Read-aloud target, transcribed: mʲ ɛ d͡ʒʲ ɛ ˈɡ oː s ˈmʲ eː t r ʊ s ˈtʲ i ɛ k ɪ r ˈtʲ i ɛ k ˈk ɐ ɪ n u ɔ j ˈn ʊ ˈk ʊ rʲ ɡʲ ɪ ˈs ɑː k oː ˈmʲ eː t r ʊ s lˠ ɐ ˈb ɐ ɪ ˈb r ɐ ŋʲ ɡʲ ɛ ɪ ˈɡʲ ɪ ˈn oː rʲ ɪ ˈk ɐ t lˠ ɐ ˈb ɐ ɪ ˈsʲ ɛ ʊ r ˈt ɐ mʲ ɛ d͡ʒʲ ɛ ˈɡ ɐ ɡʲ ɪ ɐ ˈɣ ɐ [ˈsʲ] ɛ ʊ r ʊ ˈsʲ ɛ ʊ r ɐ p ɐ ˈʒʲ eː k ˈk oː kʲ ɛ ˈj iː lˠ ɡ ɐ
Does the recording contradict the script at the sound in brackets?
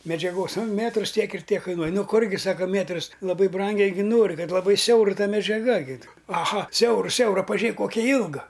no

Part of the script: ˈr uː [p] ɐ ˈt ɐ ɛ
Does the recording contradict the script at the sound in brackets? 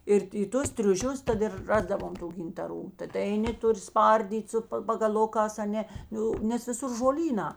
yes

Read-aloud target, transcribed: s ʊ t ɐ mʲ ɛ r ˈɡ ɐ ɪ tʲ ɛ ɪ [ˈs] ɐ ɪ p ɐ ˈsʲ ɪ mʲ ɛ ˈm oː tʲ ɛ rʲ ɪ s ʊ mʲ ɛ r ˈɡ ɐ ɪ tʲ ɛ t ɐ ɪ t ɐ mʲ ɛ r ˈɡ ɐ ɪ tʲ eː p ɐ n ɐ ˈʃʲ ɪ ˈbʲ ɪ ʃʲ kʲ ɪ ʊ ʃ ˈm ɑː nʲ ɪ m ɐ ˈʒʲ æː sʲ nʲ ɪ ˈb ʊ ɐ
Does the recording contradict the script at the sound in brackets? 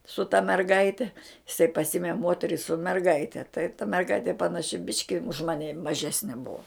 no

